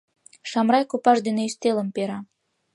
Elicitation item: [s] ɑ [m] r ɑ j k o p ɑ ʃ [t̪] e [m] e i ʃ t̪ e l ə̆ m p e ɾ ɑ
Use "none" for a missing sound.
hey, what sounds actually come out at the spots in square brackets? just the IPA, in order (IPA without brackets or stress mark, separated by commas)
ʃ, m, d̪, n